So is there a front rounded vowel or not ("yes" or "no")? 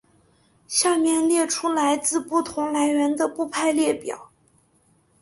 no